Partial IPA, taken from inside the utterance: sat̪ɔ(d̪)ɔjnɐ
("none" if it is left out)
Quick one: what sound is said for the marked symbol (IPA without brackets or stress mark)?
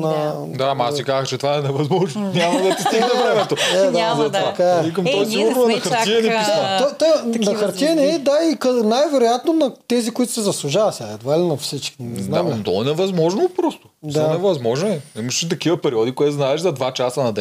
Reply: t̪